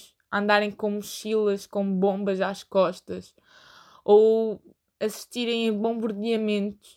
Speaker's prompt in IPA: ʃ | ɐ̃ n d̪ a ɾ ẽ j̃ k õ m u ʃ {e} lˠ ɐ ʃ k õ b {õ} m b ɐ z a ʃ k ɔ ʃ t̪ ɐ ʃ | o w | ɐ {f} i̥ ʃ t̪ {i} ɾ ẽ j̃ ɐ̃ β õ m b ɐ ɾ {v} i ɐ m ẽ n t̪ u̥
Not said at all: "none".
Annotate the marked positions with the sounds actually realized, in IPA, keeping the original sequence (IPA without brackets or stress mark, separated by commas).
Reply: i, õ, s, i, ð